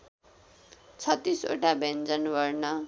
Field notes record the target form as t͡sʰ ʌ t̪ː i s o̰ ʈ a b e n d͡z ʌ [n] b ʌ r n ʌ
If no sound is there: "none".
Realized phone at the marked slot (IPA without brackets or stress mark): n